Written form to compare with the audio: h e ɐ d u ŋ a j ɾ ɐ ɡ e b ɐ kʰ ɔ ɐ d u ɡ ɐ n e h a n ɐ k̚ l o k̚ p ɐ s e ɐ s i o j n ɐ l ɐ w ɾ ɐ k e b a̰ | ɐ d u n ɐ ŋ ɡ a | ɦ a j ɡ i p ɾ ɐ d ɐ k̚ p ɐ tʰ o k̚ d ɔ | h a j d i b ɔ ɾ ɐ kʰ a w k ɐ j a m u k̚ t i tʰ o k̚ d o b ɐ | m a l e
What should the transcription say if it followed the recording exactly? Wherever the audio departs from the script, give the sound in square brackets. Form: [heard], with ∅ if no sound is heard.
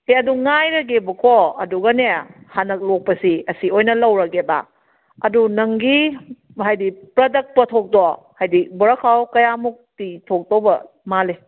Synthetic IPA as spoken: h e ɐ d u ŋ a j ɾ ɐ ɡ e b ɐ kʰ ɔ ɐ d u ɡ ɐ n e h a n ɐ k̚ l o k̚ p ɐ s [i] ɐ s i o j n ɐ l ɐ w ɾ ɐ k e b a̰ | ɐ d u n ɐ ŋ ɡ [i] | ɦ a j [d] i p ɾ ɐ d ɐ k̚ p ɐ tʰ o k̚ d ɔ | h a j d i b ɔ ɾ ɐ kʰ a w k ɐ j a m u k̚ t i tʰ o k̚ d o b ɐ | m a l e